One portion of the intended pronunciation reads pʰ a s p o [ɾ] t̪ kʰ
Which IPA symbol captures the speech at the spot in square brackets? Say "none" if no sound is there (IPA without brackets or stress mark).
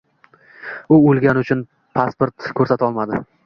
ɾ